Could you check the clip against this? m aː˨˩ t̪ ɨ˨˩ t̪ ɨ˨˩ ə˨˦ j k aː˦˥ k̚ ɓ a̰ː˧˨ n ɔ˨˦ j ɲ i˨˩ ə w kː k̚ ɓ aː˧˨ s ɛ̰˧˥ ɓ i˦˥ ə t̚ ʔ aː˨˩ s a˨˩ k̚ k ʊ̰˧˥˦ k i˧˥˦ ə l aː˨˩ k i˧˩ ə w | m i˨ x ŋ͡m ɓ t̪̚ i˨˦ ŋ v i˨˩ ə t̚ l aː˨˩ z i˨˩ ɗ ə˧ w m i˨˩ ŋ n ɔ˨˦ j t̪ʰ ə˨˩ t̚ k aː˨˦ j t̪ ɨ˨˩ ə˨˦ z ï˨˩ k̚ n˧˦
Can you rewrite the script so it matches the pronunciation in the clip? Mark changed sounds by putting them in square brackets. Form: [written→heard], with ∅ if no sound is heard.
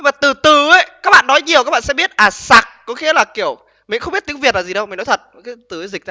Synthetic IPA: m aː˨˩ t̪ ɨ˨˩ t̪ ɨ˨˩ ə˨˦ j k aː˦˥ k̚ ɓ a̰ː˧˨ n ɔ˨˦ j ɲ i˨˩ ə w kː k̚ ɓ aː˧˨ s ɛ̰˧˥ ɓ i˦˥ ə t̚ ʔ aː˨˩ s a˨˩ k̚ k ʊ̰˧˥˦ [k→x] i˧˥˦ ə l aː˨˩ k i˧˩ ə w | m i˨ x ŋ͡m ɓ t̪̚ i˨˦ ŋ v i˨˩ ə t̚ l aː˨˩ z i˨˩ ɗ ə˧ w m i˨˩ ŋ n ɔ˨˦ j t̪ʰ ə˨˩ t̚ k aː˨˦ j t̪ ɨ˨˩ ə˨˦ z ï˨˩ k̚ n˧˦